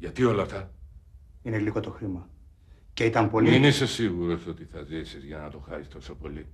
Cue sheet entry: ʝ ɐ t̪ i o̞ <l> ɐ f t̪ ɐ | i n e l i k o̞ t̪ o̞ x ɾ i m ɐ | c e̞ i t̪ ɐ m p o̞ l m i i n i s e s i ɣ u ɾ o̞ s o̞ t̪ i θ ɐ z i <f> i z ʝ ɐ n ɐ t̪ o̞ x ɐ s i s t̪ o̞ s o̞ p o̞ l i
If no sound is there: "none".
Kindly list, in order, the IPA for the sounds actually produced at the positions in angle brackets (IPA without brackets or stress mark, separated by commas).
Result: l, s